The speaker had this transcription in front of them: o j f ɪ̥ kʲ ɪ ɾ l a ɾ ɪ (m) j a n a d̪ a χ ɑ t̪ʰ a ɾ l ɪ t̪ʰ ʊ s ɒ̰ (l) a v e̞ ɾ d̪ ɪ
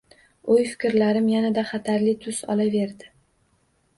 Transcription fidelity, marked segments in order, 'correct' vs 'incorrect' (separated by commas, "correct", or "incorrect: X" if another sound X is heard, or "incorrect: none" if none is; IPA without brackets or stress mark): correct, correct